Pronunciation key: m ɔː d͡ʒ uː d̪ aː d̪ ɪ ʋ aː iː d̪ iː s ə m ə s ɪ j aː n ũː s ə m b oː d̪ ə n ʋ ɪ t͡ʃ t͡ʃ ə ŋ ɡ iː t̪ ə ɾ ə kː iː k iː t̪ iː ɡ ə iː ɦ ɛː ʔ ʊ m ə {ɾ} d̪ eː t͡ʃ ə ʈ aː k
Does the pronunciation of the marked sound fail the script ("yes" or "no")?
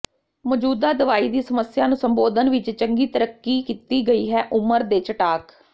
no